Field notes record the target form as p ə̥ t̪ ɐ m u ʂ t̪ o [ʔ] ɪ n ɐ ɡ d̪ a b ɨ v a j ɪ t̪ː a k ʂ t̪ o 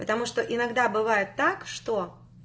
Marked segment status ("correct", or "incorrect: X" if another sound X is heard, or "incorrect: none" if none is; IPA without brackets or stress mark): correct